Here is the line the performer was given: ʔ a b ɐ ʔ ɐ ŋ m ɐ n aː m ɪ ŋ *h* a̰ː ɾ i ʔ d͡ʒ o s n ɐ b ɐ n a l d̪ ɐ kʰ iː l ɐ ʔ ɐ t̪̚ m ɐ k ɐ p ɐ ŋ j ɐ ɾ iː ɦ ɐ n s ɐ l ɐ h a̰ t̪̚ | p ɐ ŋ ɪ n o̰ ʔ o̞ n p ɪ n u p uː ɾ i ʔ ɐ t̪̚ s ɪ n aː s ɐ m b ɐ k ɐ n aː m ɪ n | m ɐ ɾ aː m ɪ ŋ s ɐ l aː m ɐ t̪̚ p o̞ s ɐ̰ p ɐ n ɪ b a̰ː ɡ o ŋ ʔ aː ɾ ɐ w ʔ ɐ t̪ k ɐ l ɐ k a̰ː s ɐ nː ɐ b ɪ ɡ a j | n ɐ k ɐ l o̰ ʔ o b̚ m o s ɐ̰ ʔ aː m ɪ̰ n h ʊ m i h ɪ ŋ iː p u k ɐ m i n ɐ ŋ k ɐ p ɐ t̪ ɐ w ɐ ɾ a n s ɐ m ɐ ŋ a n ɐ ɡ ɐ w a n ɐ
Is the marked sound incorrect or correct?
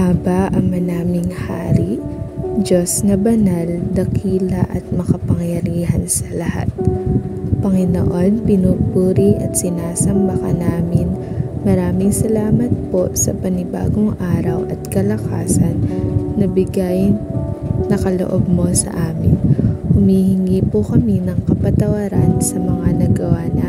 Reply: correct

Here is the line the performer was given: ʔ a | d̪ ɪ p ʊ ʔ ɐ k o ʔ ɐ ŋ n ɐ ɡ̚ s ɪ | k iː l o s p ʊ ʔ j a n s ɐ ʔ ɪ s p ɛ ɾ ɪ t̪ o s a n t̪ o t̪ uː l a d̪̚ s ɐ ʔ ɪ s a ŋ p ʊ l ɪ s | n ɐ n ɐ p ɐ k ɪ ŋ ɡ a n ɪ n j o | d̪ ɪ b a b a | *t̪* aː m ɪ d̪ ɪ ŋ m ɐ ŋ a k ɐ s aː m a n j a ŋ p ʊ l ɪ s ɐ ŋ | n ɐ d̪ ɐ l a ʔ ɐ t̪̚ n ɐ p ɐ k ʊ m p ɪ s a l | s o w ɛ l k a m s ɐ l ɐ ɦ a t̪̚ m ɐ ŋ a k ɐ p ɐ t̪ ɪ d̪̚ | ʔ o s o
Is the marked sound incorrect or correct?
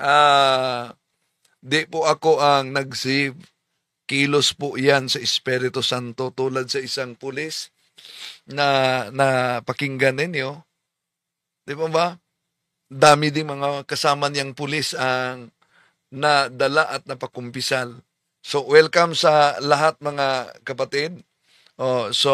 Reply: incorrect: d̪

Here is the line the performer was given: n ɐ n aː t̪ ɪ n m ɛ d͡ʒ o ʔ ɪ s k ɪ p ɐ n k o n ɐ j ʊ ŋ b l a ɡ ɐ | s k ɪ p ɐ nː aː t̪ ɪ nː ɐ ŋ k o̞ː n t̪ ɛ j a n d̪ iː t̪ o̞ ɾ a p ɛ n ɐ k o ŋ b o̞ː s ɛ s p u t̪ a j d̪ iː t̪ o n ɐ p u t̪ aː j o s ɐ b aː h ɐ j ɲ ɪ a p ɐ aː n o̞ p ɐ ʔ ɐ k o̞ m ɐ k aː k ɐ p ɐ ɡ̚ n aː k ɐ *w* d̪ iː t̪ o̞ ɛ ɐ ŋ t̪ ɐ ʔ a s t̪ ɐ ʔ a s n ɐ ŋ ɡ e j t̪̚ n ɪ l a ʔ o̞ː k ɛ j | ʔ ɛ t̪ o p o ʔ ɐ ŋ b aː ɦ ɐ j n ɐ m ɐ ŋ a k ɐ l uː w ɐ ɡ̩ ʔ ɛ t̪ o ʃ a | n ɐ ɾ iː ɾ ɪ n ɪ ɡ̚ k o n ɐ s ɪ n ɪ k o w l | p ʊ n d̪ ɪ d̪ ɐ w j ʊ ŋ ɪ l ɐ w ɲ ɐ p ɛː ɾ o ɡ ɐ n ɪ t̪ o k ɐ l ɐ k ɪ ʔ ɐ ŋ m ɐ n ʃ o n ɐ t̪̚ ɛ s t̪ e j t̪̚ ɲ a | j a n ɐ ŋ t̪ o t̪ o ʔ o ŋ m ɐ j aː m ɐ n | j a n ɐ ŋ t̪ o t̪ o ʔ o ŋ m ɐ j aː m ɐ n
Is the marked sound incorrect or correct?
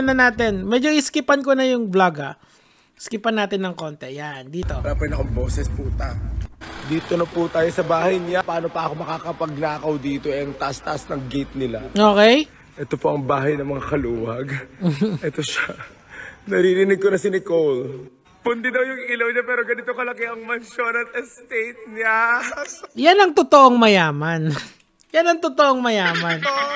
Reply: correct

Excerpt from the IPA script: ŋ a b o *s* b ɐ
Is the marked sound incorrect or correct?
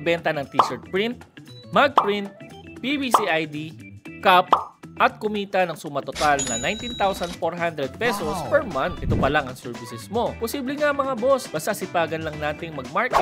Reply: correct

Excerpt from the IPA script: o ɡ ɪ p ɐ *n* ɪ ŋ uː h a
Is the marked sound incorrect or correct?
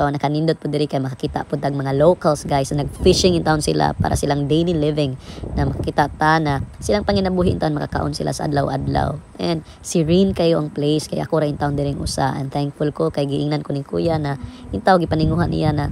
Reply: correct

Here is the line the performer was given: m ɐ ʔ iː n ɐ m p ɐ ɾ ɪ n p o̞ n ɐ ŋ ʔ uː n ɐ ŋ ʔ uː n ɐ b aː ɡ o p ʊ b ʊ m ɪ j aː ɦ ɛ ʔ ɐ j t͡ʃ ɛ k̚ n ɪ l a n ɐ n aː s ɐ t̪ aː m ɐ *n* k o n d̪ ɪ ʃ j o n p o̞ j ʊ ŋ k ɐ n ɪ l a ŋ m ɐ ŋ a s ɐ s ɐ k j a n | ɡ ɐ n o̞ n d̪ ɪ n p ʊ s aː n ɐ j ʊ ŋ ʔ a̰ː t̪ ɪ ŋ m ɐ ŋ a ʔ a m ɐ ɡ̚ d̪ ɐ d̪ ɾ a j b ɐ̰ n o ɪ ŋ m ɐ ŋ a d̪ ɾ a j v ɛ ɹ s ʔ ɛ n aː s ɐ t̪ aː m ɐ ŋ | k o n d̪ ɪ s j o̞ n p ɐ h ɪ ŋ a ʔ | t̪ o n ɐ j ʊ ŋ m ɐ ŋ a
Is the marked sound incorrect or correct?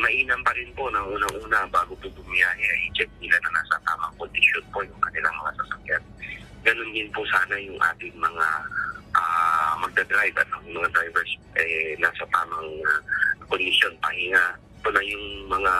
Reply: incorrect: ŋ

